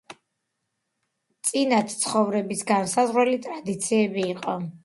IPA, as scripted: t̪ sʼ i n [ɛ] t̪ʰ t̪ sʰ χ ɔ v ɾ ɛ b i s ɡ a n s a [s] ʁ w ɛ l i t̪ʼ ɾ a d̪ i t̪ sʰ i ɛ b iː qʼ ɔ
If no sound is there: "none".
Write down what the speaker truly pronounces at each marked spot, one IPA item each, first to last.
a, z

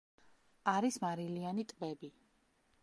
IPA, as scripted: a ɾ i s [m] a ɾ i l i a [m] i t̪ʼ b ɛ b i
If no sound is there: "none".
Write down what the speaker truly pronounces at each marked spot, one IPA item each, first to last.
m, n

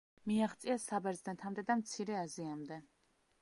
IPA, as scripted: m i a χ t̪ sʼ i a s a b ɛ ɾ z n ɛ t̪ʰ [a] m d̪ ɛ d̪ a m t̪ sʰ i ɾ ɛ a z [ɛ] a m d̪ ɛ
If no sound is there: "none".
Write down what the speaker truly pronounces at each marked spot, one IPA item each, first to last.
a, i

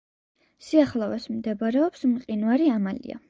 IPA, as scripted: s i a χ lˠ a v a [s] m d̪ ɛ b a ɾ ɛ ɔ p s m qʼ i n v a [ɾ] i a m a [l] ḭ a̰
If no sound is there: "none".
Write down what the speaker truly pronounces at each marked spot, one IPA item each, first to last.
s, ɾ, l

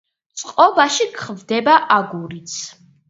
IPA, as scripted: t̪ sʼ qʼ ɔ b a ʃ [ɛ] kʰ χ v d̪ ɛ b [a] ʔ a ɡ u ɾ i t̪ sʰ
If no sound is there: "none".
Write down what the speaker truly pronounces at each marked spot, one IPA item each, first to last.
i, a

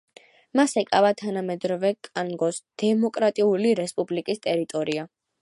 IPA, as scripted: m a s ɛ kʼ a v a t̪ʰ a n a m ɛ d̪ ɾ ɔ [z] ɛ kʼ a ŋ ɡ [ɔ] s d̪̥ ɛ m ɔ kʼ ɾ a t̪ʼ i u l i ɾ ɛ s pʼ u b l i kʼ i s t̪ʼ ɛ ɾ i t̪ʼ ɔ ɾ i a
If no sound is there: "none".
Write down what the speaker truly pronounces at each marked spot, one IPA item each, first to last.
v, ɔ

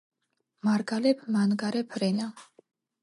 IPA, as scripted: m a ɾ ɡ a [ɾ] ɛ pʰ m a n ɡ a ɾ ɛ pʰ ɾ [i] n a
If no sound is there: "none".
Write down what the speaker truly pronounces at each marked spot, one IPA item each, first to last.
l, ɛ

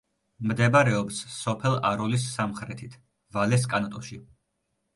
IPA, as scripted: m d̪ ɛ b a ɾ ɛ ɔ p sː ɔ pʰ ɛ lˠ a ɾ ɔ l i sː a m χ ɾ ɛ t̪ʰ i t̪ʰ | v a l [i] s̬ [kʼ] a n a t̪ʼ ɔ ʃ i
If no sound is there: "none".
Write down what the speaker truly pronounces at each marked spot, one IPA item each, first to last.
ɛ, kʼ

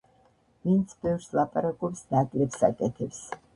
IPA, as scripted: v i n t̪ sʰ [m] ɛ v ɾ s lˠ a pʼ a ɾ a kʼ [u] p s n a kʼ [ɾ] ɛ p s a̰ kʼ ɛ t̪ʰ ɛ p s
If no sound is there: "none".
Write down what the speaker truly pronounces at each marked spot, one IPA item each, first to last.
b, ɔ, l

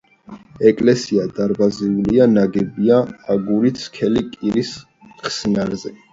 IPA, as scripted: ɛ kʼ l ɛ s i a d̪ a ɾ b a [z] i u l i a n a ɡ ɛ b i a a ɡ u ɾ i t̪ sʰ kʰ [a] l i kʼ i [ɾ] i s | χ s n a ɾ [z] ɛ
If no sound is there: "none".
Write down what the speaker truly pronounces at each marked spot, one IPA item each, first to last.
z, ɛ, ɾ, z

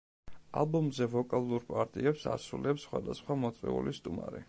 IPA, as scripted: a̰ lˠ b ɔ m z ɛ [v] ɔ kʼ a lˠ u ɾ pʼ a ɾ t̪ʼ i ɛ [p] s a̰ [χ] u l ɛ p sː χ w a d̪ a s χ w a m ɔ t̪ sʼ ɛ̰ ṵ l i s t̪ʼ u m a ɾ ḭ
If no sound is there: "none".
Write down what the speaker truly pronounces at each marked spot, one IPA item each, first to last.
v, p, s

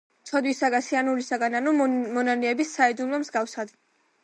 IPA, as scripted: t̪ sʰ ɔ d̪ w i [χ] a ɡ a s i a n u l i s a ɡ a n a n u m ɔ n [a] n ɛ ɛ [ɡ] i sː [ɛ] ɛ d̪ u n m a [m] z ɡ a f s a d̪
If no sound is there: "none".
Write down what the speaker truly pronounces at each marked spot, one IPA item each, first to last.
s, a, b, a, m

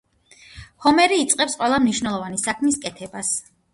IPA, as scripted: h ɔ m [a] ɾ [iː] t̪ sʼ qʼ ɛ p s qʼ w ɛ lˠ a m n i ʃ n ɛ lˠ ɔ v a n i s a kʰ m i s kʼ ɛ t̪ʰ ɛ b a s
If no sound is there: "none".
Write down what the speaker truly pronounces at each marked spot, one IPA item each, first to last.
ɛ, iː

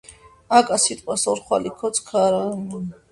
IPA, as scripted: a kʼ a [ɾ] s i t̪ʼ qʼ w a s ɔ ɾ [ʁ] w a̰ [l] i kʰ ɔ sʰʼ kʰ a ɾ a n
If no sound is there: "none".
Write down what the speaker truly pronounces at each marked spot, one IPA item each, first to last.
none, χ, l

